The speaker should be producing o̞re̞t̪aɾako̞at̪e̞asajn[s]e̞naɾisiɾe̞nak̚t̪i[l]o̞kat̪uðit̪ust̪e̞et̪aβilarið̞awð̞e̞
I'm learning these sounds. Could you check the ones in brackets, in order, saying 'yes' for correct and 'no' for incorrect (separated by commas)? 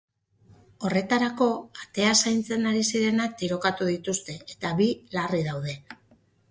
no, no